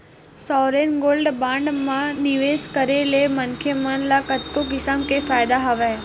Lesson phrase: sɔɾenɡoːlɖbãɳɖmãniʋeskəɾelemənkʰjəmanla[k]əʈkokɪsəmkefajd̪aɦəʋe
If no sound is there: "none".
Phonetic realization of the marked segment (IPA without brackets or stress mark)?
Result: k